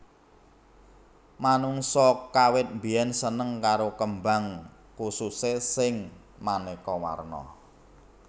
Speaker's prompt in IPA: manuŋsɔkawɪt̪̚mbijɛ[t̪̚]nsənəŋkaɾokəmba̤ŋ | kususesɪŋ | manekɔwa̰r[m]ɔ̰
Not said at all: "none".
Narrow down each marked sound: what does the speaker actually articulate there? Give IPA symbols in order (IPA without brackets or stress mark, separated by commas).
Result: none, n